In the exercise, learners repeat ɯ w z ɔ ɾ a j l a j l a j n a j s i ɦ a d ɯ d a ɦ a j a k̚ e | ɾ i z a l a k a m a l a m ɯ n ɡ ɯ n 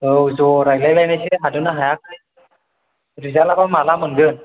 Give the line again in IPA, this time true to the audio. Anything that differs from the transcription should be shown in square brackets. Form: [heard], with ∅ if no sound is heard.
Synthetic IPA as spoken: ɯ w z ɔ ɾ a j l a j l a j n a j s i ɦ a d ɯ [n] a ɦ a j a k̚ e | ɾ i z a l a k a m a l a m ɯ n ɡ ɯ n